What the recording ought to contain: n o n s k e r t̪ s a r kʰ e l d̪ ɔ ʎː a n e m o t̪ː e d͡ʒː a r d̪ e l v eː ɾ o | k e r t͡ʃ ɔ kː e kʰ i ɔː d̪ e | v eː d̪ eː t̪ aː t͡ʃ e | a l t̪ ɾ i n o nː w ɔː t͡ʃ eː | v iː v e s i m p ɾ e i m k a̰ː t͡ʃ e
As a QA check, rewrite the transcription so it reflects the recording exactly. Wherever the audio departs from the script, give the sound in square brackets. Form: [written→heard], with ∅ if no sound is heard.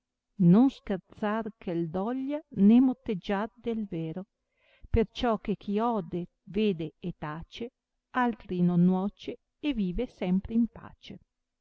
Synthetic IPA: n o n s k e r t̪ s a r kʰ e l d̪ ɔ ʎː a n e m o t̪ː e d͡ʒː a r d̪ e l v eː ɾ o | [k→p] e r t͡ʃ ɔ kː e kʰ i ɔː d̪ e | v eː d̪ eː t̪ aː t͡ʃ e | a l t̪ ɾ i n o nː w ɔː t͡ʃ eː | v iː v e s [i→ɛ] m p ɾ e i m [k→p] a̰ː t͡ʃ e